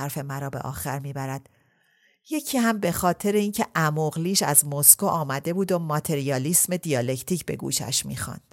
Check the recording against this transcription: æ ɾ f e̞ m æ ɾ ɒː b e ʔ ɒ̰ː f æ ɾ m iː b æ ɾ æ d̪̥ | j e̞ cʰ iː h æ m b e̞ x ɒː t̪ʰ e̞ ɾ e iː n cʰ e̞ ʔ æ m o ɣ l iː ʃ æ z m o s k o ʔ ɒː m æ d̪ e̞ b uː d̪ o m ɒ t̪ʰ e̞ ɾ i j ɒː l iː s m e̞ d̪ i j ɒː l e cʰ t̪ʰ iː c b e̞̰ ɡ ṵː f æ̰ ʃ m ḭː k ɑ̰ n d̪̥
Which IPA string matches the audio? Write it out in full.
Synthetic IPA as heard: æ ɾ f e̞ m æ ɾ ɒː b e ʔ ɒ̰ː x æ ɾ m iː b æ ɾ æ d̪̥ | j e̞ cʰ iː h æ m b e̞ x ɒː t̪ʰ e̞ ɾ e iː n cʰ e̞ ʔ æ m o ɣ l iː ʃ æ z m o s k o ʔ ɒː m æ d̪ e̞ b uː d̪ o m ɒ t̪ʰ e̞ ɾ i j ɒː l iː s m e̞ d̪ i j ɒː l e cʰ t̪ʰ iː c b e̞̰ ɡ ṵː ʃ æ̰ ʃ m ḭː x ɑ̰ n d̪̥